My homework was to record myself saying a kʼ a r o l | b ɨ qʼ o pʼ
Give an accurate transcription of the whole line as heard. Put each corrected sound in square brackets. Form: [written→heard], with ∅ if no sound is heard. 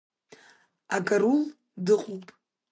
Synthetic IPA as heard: a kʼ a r [o→u] l | [b→d] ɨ qʼ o pʼ